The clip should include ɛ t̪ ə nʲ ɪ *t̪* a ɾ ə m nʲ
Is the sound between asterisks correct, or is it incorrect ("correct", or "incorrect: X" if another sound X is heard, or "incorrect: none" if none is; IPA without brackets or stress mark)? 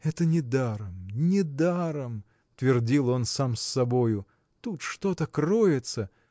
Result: incorrect: d̪